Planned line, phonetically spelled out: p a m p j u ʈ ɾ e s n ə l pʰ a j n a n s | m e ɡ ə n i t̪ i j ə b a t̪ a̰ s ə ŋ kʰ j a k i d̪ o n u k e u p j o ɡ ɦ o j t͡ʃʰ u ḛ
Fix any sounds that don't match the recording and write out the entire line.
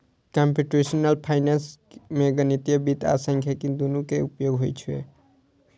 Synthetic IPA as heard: k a m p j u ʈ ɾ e s n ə l pʰ a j n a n s | m e ɡ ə n i t̪ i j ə b i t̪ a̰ s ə ŋ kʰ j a k i d̪ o n u k e u p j o ɡ ɦ o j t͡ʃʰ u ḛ